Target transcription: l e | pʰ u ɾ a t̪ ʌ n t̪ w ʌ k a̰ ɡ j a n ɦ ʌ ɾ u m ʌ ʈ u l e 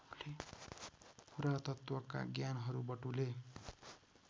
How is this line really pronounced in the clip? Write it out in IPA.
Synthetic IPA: l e | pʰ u ɾ a t̪ ʌ t̪ w ʌ k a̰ ɡ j a n ɦ ʌ ɾ u b ʌ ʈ u l e